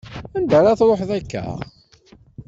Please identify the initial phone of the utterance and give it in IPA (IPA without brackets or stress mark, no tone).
æ